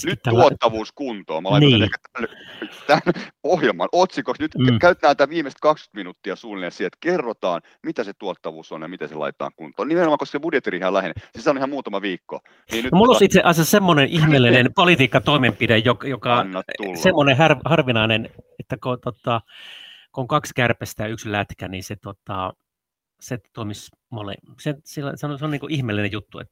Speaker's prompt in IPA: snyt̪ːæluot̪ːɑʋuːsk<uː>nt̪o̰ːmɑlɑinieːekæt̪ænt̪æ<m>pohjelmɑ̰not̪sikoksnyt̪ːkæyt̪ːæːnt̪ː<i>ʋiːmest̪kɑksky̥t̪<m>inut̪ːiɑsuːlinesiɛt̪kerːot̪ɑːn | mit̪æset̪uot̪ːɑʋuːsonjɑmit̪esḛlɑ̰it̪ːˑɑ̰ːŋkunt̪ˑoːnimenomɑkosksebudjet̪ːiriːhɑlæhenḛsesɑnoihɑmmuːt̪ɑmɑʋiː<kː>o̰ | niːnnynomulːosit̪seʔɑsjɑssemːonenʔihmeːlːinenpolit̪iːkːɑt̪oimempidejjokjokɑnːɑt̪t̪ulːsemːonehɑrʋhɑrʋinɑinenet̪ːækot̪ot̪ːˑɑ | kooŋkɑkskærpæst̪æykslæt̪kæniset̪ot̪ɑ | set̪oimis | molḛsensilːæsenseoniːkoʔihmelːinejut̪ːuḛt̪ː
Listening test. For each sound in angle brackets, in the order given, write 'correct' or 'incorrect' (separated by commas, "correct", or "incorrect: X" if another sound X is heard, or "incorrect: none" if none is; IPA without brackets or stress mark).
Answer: incorrect: u, incorrect: n, incorrect: æ, correct, correct